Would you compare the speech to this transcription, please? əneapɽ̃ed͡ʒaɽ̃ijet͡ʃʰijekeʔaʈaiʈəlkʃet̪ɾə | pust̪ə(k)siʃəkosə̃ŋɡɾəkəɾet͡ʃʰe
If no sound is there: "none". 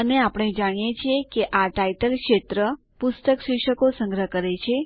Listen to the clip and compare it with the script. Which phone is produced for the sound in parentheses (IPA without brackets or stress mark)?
k